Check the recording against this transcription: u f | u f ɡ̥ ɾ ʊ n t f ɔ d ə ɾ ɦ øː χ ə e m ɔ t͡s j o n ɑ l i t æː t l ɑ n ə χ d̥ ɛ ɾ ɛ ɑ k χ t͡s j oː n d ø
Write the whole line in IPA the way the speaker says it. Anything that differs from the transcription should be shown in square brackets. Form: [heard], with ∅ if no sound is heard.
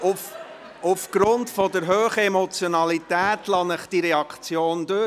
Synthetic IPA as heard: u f | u f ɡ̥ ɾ ʊ n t f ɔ d ə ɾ ɦ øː χ ə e m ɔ t͡s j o n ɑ l i t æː t l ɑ n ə χ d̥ [i] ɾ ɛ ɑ k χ t͡s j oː n d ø